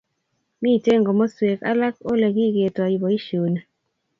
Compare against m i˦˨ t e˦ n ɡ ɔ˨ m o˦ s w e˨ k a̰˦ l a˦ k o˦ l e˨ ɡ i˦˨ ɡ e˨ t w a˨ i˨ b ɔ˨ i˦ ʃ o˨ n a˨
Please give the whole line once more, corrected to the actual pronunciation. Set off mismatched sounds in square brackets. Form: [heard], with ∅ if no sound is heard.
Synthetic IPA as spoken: m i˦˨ t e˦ [ŋ] ɡ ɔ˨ m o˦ s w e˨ k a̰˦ l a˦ k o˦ l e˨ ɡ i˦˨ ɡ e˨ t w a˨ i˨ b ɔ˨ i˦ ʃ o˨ n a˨